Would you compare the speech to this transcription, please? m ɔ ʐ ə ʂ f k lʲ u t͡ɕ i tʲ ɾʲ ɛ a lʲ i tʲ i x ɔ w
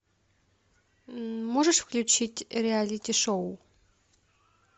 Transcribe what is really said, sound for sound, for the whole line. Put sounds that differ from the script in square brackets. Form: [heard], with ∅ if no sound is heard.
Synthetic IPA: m ɔ ʐ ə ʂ f k lʲ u t͡ɕ i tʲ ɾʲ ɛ a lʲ i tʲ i [ʂ] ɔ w